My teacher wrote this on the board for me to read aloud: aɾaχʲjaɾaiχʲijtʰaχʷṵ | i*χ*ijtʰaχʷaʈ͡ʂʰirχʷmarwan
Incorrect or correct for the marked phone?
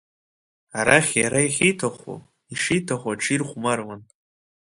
incorrect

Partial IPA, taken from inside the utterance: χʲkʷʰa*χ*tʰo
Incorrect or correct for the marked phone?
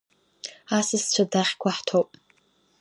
incorrect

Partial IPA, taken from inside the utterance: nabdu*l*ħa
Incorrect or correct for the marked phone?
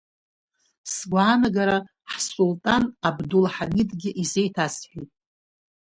correct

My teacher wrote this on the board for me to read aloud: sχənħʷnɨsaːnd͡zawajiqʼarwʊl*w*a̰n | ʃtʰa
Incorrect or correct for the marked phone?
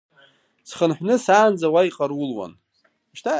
correct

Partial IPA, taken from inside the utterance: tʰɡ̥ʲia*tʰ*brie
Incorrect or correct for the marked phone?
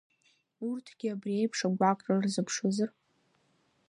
incorrect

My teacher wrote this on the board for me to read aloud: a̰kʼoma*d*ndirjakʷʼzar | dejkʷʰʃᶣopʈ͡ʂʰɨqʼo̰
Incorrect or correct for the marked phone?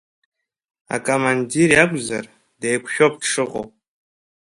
incorrect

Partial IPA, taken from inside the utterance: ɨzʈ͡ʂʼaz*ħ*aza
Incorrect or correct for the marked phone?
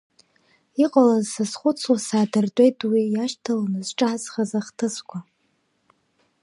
incorrect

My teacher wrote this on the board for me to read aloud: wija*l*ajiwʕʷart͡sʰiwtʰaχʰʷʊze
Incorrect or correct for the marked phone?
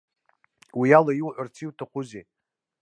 correct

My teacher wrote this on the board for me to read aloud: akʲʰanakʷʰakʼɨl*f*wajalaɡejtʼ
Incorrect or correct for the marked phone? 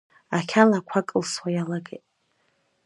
incorrect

